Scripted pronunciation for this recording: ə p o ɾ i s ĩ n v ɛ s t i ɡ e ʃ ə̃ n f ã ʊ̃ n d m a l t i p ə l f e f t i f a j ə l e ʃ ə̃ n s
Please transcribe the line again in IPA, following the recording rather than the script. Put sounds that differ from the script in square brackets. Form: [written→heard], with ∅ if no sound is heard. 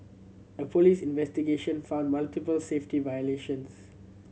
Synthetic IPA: ə p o [ɾ→l] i s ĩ n v ɛ s t i ɡ e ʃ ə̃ n f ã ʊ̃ n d m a l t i p ə l [f→s] e f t i [f→v] a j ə l e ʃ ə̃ n s